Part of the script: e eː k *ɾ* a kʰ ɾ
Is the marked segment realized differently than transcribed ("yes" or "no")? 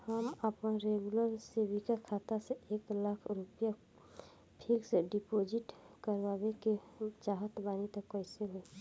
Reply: yes